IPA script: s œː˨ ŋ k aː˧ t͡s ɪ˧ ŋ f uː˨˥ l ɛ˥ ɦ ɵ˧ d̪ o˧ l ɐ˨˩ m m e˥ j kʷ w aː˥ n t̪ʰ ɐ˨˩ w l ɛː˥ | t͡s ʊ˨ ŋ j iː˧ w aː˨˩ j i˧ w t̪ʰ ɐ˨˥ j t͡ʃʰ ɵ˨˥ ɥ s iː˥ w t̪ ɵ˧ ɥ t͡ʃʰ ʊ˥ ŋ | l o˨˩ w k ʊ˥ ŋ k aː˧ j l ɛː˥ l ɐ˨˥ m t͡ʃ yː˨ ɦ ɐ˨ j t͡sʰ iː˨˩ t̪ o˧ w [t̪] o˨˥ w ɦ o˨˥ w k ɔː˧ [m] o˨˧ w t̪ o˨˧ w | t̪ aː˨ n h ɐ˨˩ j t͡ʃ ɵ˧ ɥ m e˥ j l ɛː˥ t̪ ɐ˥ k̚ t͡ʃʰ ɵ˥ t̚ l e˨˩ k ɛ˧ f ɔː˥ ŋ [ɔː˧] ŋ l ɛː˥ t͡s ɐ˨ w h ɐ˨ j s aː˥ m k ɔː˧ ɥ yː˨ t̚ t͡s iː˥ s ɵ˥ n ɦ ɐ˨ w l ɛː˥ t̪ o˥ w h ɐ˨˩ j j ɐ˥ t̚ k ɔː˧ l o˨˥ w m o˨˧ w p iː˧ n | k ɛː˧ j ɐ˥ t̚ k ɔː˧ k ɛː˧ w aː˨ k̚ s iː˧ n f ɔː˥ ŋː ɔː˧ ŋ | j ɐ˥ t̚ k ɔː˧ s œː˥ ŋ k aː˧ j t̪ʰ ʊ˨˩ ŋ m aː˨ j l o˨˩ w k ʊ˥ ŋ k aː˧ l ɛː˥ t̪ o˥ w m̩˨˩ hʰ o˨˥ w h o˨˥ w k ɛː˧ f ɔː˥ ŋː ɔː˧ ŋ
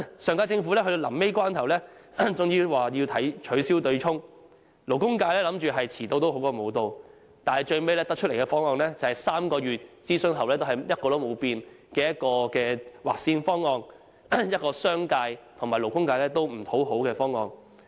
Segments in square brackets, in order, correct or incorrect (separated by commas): correct, correct, correct